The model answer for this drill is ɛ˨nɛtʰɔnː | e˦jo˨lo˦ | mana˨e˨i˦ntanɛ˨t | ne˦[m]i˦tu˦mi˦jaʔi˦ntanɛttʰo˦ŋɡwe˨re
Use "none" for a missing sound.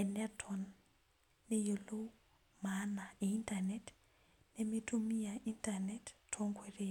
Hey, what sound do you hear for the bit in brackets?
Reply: m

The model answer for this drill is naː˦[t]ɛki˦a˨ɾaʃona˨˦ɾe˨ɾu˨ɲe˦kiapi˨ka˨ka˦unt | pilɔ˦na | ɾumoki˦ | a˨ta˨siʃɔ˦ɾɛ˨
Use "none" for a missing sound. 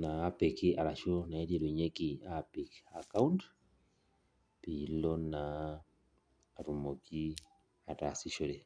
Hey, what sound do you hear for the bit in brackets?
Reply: p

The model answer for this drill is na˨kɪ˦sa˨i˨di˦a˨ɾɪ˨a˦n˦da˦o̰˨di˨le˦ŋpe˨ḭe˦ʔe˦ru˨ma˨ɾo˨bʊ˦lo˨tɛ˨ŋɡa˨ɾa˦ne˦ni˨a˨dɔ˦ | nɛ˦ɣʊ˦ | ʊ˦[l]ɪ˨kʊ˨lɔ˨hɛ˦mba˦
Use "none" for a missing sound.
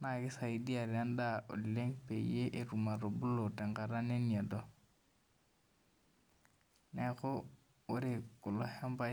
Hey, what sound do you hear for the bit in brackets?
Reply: ɾ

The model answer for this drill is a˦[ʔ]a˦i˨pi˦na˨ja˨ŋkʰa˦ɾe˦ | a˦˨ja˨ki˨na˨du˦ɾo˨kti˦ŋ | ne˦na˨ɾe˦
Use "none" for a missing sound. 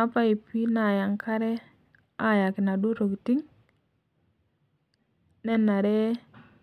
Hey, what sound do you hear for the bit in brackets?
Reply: p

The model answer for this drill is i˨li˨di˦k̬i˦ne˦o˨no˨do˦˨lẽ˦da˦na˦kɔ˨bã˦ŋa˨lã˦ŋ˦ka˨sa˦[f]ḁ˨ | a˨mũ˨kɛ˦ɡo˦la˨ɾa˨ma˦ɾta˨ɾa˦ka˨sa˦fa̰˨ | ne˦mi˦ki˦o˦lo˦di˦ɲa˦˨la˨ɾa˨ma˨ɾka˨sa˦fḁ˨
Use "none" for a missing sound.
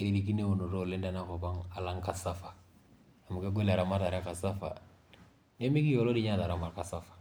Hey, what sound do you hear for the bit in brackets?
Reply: f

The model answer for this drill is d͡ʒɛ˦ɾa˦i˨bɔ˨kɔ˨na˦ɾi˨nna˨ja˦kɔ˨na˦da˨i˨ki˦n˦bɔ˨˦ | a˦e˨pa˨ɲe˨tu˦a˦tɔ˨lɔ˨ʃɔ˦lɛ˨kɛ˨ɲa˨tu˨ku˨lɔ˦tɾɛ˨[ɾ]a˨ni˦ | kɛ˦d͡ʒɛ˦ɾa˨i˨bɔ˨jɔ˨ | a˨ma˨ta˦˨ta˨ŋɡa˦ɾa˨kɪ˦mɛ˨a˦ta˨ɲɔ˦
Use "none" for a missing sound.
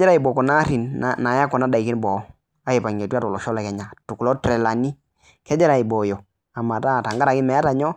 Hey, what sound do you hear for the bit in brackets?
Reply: l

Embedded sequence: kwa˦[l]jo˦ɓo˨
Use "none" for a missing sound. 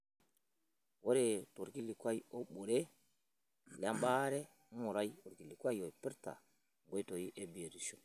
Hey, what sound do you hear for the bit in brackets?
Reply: none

